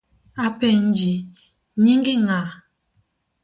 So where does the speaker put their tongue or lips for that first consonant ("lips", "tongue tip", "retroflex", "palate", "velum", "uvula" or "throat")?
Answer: lips